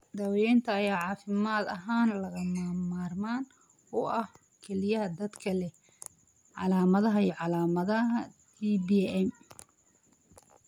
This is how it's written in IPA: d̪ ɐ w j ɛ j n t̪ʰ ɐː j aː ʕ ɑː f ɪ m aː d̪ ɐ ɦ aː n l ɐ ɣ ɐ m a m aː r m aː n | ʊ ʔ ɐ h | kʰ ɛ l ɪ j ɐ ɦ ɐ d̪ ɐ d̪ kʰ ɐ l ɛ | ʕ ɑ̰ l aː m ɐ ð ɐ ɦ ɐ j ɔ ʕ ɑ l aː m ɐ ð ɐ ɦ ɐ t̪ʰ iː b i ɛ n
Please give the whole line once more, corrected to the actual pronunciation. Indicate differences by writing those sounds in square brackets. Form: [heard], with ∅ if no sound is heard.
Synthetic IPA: d̪ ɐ w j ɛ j n t̪ʰ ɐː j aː ʕ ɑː f ɪ m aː d̪ ɐ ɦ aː n l ɐ ɣ ɐ m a m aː r m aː n | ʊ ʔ ɐ h | kʰ ɛ l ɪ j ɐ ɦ ɐ d̪ ɐ d̪ kʰ ɐ l ɛ | ʕ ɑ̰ l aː m ɐ ð ɐ ɦ ɐ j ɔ ʕ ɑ l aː m ɐ ð ɐ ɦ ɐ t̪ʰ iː b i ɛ [m]